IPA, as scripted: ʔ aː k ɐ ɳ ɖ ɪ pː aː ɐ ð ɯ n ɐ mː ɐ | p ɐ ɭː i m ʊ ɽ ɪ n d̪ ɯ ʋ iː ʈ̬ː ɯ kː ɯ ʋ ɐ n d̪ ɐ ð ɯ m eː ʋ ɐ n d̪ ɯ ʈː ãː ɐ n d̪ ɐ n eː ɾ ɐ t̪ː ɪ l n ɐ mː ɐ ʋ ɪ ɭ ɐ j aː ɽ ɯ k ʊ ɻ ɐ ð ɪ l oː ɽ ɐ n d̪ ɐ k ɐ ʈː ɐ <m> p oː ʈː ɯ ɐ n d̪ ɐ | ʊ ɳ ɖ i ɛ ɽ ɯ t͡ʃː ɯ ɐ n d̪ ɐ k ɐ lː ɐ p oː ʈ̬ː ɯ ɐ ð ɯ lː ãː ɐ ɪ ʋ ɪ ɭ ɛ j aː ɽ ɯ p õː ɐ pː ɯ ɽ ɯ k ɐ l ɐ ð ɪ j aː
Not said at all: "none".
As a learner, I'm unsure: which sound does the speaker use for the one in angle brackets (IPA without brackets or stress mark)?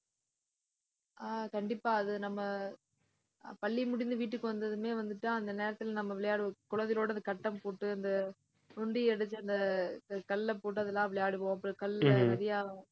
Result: m